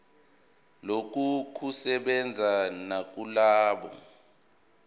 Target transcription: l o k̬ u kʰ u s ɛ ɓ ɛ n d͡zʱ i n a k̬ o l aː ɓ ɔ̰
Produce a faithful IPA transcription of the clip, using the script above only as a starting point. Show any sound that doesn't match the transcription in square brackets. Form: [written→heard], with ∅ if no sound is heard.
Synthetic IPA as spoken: l o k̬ u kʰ u s ɛ ɓ ɛ n d͡zʱ [i→a] n a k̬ [o→u] l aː ɓ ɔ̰